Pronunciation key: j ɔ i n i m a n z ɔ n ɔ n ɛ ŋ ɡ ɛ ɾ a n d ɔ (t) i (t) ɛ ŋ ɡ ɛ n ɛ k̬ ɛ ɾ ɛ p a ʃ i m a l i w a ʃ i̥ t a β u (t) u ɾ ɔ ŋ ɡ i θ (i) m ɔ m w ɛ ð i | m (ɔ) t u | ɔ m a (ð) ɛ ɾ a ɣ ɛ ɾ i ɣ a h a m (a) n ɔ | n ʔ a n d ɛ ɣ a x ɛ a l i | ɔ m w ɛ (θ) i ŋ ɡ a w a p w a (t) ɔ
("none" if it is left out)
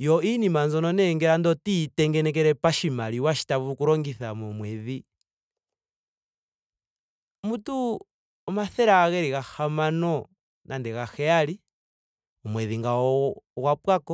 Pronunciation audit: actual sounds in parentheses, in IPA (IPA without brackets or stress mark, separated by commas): t, t, k, a, u, θ, a, ð, k